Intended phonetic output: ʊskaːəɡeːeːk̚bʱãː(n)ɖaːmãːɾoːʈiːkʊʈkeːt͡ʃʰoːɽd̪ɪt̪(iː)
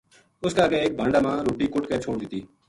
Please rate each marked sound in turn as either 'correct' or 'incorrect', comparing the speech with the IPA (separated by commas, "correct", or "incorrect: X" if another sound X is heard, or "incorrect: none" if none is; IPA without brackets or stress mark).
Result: incorrect: ɳ, correct